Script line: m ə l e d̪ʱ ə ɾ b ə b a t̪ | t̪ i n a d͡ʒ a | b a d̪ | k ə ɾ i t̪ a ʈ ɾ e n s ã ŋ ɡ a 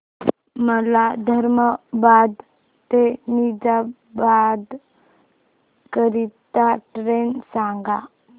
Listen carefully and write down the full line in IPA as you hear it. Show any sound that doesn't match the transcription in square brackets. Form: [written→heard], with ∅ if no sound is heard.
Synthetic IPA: m ə l [e→a] d̪ʱ ə ɾ [b→m] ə b a [t̪→d̪] | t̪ [i→e] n [a→i] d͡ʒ a | b a d̪ | k ə ɾ i t̪ a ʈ ɾ e n s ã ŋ ɡ a